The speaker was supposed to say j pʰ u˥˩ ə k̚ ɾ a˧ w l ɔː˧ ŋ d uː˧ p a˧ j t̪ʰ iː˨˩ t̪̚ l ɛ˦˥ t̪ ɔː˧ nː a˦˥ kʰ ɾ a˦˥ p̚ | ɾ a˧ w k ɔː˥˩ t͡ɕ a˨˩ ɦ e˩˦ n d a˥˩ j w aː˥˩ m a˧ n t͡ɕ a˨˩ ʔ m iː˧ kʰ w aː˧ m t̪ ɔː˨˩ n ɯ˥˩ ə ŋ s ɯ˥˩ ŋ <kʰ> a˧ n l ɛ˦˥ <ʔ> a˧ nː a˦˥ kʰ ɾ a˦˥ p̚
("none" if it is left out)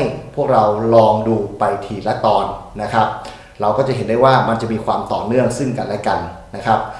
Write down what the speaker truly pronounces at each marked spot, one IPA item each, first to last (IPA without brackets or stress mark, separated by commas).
k, k